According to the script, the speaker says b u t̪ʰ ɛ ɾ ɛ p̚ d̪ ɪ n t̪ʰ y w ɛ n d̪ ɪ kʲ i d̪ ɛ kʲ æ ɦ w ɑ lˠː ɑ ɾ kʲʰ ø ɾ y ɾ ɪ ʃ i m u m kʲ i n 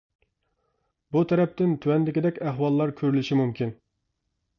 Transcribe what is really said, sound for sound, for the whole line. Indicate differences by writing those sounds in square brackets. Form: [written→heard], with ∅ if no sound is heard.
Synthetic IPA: b u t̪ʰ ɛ ɾ ɛ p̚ [d̪→t̪] ɪ n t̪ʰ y w ɛ n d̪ ɪ kʲ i d̪ ɛ kʲ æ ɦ w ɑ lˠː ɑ ɾ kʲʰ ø ɾ y [ɾ→l] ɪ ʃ i m u m kʲ i n